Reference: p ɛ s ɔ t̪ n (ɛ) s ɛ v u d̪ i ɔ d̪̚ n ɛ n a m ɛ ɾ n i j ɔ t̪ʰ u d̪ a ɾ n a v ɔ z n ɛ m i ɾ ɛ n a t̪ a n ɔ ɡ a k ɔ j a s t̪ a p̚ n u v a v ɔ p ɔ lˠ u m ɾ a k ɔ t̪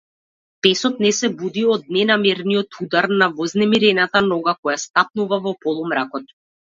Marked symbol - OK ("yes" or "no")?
yes